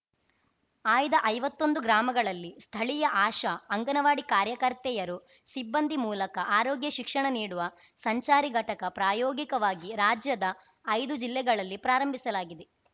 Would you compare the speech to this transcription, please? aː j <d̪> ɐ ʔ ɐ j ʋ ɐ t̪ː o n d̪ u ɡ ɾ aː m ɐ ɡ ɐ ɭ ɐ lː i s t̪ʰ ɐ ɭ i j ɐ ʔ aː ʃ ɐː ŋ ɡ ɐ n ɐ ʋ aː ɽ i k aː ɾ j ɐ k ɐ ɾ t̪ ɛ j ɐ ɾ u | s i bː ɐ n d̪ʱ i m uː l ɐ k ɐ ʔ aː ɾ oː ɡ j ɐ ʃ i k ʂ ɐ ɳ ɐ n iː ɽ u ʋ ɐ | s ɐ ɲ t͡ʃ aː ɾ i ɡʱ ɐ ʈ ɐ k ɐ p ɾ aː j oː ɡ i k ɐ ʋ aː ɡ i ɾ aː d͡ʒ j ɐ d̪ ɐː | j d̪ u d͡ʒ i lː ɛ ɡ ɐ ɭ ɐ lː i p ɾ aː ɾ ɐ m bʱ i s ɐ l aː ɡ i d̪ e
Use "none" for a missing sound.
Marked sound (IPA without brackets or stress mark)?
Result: d̪